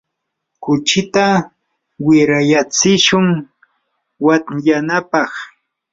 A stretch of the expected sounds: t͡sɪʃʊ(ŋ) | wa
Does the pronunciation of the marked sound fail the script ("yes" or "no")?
no